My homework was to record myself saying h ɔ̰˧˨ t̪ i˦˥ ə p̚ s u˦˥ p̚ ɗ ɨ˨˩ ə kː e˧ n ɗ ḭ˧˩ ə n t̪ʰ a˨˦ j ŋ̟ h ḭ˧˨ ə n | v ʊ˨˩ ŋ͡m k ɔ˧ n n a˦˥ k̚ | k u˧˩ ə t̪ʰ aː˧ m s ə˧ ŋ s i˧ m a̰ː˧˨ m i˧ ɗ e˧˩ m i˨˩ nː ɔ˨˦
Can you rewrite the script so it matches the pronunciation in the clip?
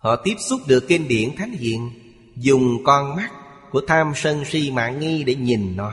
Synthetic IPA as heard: h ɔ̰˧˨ t̪ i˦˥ ə p̚ s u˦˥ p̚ ɗ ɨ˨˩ ə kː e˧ n ɗ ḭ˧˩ ə n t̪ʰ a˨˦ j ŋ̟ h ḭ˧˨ ə n | z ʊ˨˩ ŋ͡m k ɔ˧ n m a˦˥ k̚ | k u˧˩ ə t̪ʰ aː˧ m s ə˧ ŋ s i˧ m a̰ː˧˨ ŋ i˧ ɗ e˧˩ ɲ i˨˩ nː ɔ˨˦